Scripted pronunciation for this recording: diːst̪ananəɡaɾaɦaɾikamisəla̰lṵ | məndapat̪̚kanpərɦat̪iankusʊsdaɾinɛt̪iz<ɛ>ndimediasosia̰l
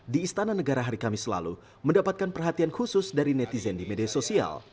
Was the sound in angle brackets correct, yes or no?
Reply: yes